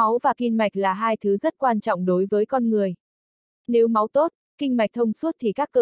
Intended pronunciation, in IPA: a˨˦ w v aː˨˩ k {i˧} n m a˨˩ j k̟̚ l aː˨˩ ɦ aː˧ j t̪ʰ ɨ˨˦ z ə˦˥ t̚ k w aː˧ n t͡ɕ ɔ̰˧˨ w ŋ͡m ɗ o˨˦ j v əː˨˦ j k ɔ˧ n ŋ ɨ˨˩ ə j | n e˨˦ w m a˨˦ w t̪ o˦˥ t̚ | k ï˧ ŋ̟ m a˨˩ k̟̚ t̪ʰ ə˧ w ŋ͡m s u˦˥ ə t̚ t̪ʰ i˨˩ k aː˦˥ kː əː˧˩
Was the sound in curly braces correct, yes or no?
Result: yes